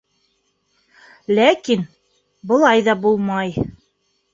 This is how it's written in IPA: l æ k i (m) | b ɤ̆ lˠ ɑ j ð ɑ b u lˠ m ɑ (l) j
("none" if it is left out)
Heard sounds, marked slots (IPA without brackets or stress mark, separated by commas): n, none